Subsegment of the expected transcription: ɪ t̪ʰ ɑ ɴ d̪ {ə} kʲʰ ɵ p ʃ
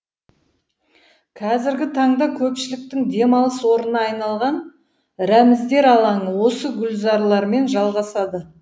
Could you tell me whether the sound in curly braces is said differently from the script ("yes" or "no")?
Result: yes